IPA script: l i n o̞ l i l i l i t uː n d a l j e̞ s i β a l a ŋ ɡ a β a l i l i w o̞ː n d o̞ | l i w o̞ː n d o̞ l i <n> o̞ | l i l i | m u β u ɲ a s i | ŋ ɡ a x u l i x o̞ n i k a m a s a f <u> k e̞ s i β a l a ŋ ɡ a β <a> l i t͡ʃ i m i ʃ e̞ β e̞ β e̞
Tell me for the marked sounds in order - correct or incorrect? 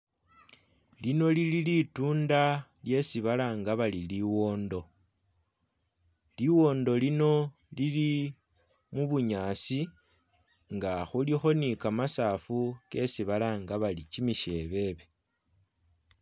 correct, correct, correct

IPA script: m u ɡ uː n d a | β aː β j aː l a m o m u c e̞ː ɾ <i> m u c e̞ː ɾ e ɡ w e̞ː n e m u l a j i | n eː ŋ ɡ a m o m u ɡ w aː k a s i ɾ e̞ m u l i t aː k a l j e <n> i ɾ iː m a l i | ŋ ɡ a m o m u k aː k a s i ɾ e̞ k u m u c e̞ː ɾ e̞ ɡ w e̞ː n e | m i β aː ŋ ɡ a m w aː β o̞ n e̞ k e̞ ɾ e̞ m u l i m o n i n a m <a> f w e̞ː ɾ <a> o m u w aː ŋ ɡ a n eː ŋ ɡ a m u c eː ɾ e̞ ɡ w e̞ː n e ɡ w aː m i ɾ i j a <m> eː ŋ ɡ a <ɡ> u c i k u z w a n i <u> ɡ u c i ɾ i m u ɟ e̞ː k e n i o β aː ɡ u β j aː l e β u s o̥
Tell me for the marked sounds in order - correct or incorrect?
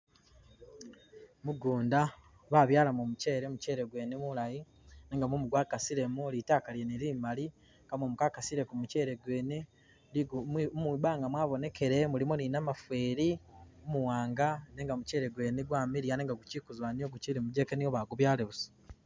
incorrect: e, correct, correct, incorrect: i, incorrect: n, correct, incorrect: o

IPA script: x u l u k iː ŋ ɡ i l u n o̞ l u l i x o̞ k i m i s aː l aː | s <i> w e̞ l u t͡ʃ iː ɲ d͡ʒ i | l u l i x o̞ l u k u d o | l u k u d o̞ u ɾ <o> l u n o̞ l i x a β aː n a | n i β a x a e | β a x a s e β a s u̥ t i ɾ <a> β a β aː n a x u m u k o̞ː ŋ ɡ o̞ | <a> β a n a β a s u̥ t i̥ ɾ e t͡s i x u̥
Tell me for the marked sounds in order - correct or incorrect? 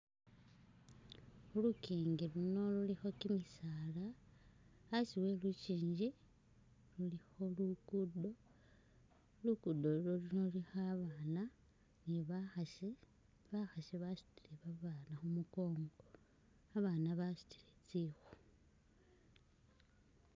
correct, correct, incorrect: e, correct

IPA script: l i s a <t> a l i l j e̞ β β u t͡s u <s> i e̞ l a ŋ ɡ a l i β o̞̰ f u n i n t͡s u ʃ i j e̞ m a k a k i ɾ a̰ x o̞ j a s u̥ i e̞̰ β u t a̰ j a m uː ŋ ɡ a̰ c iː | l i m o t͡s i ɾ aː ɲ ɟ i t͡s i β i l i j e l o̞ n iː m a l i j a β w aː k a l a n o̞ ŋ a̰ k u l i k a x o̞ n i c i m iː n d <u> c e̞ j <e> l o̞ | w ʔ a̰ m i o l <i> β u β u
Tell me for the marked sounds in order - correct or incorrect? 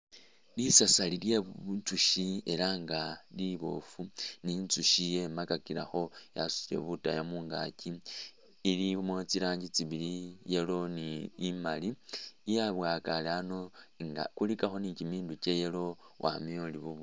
incorrect: s, incorrect: ʃ, correct, correct, correct

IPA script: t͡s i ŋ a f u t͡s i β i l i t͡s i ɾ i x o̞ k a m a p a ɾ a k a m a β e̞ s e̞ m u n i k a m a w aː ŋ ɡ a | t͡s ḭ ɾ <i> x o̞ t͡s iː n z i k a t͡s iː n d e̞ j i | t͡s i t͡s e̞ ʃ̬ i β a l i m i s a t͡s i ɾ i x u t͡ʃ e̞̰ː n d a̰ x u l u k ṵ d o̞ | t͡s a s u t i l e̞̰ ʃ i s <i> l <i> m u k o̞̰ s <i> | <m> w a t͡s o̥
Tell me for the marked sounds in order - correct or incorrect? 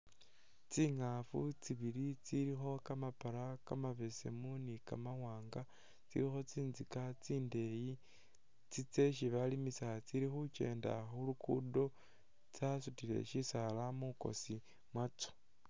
correct, incorrect: a, incorrect: a, correct, correct

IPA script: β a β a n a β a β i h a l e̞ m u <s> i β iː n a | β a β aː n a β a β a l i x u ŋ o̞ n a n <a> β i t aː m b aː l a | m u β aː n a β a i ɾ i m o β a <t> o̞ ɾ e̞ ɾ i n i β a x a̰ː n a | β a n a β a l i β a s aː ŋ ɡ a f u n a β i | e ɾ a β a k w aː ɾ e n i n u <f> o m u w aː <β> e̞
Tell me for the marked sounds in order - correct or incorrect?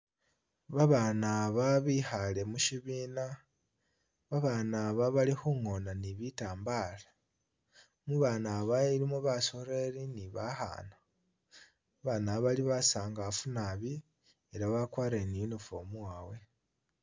incorrect: ʃ, incorrect: i, incorrect: s, correct, incorrect: w

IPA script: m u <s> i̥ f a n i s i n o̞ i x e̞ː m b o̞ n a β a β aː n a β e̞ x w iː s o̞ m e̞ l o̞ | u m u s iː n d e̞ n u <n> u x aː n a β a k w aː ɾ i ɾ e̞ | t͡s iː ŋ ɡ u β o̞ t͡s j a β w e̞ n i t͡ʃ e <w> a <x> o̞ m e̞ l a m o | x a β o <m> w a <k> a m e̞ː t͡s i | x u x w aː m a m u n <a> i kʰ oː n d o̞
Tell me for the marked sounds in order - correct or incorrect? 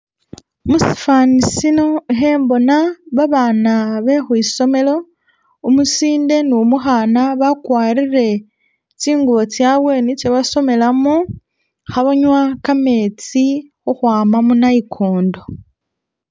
correct, incorrect: m, incorrect: β, incorrect: s, incorrect: ɲ, correct, correct

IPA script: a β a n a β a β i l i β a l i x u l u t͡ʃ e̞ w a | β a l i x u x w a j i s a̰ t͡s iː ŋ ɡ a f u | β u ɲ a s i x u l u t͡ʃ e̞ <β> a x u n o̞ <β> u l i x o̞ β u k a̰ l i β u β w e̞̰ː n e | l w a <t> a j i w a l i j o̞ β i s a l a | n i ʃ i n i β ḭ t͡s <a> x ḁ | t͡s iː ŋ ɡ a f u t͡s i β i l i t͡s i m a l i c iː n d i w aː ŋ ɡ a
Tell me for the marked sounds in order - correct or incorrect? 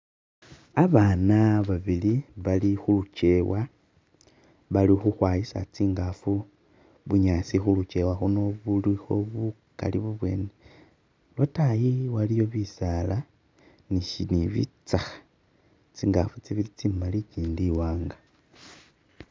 incorrect: w, correct, correct, correct

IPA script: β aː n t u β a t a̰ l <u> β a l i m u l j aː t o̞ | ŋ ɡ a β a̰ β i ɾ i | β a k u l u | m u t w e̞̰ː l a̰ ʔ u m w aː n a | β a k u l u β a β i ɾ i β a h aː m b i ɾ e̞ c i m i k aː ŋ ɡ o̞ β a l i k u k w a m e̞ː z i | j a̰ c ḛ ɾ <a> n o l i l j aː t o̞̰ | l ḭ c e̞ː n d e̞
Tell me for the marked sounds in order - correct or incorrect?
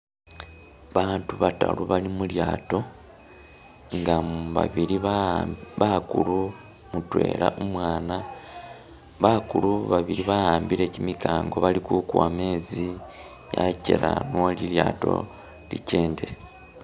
correct, correct

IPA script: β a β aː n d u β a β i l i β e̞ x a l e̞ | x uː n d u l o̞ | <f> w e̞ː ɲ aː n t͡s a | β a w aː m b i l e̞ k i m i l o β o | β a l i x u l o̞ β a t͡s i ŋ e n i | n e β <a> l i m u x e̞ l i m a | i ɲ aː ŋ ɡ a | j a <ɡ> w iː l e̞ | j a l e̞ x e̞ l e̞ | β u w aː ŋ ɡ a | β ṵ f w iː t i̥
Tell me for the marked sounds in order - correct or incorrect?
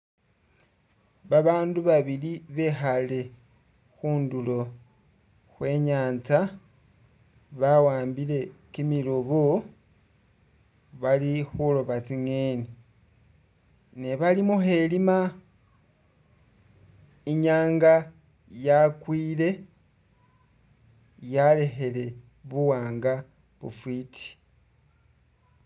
incorrect: x, correct, incorrect: k

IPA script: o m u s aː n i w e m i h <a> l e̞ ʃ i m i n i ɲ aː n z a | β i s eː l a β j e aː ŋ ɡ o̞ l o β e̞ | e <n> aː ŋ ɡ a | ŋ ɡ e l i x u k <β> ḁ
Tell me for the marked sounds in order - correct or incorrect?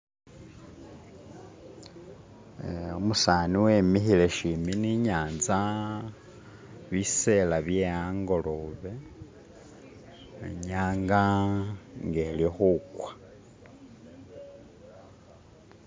incorrect: i, incorrect: ɲ, incorrect: w

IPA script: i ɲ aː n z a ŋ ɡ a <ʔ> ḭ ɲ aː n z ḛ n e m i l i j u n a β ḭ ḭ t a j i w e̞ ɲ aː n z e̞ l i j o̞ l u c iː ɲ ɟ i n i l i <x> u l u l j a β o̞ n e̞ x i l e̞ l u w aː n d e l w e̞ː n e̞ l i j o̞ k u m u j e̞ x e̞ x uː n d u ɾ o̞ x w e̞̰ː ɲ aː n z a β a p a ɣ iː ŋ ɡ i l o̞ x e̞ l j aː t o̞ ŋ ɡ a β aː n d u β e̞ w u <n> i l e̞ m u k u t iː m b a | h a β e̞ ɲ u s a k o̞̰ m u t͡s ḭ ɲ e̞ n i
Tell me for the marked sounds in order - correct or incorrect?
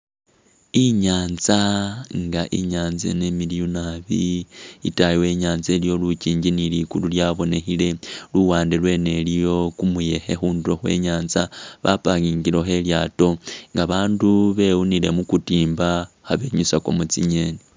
correct, incorrect: k, correct

